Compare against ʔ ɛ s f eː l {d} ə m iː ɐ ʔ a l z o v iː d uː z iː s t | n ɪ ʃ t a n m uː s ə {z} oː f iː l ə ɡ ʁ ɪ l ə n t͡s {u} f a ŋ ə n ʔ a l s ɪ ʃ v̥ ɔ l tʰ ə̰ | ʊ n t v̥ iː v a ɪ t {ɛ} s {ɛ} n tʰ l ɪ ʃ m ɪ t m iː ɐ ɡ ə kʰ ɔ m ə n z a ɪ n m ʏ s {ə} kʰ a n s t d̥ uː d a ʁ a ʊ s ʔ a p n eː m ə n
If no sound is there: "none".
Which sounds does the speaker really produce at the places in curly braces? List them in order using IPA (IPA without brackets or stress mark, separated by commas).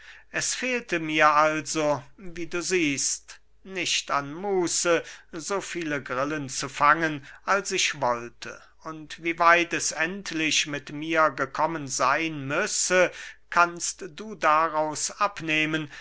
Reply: t, z, u, ɛ, ɛ, ə